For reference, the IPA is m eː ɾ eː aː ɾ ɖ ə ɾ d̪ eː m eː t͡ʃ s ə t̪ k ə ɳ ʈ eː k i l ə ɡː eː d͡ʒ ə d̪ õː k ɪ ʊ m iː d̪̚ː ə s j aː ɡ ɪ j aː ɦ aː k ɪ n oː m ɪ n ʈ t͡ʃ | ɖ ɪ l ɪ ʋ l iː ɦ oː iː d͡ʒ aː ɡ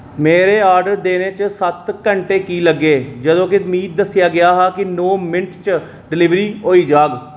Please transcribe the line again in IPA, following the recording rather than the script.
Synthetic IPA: m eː ɾ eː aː ɾ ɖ ə ɾ d̪ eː n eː t͡ʃ s ə t̪ k ə ɳ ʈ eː k iː l ə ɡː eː d͡ʒ ə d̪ õː k ɪ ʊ m iː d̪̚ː ə s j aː ɡ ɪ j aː ɦ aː k ɪ n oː m ɪ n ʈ t͡ʃ | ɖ ɪ l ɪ ʋ ɾ iː ɦ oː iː d͡ʒ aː ɡ